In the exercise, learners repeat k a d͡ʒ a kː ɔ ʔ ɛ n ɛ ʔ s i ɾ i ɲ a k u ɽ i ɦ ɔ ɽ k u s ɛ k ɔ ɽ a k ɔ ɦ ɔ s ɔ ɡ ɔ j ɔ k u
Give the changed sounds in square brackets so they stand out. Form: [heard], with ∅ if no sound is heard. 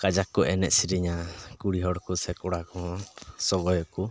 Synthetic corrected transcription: k a d͡ʒ a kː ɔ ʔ ɛ n ɛ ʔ s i ɾ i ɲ a k u ɽ i ɦ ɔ ɽ k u s ɛ k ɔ ɽ a k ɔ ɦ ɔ s ɔ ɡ ɔ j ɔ k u